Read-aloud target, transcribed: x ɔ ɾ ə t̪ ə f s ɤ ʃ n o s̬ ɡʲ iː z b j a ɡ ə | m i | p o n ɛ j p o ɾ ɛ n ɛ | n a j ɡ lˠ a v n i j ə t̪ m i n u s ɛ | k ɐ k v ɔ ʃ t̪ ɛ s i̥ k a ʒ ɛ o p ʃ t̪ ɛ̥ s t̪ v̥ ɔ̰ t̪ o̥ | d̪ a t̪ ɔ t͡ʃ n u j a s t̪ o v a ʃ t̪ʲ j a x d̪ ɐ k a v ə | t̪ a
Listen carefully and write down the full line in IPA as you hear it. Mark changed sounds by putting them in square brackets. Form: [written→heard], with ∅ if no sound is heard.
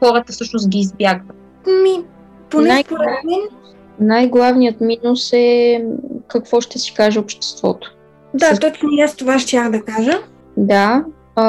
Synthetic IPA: x ɔ ɾ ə t̪ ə f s ɤ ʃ n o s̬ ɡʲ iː z b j a ɡ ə | m i | p o n ɛ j p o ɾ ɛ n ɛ | n a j ɡ lˠ a v n i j ə t̪ m i n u s ɛ | k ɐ k v ɔ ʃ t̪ ɛ s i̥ k a ʒ ɛ o p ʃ t̪ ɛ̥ s t̪ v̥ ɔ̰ t̪ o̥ | d̪ a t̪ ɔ t͡ʃ n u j a s t̪ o v a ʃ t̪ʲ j a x d̪ ɐ k a [v→ʒ] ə | [t̪→d̪] a